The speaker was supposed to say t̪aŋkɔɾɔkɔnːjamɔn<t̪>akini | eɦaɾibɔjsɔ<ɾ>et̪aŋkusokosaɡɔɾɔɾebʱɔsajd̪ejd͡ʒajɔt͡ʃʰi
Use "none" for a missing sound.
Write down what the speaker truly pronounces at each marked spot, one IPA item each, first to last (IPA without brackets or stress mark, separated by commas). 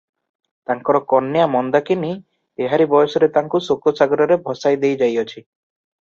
d̪, ɾ